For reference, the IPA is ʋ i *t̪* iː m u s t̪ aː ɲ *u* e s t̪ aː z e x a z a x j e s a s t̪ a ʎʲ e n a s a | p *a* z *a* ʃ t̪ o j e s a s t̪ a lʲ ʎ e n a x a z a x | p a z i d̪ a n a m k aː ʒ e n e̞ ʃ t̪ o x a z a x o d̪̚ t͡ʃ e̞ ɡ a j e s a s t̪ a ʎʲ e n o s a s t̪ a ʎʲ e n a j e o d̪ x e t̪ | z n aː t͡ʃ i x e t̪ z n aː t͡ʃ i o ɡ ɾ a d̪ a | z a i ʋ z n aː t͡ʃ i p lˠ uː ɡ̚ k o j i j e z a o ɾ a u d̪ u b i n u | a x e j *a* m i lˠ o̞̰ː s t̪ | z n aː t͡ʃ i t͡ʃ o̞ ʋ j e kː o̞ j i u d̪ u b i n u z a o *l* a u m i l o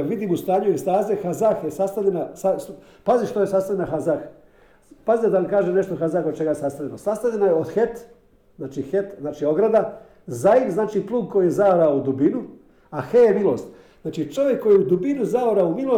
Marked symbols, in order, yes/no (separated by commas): no, yes, yes, no, no, no